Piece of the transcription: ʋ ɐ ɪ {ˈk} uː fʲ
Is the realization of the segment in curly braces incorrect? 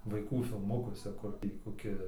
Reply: no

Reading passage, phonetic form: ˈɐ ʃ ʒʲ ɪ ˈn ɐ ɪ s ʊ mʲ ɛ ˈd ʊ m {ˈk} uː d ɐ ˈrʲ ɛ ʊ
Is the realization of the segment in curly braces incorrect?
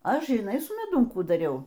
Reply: no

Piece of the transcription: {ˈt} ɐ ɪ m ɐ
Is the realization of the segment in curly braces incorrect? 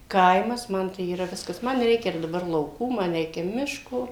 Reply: yes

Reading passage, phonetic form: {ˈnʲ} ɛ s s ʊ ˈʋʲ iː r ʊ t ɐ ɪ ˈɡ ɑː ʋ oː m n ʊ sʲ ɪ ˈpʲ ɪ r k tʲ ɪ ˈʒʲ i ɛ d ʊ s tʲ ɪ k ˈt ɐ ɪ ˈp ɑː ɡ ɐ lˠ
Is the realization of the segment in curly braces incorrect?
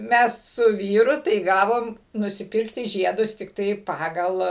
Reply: yes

